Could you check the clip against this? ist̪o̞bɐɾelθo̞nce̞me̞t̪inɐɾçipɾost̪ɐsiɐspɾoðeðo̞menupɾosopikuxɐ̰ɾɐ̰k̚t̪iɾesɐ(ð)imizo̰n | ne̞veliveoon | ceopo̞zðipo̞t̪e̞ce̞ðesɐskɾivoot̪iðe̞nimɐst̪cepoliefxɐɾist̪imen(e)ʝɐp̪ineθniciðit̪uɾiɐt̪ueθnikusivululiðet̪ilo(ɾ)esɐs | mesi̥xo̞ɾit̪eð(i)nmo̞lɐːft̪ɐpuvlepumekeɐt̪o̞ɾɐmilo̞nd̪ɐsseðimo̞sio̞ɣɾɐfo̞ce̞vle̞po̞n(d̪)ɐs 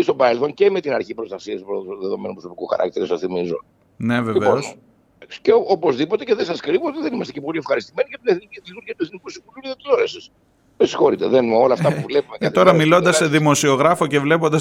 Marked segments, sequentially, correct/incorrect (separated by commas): incorrect, incorrect, correct, incorrect, correct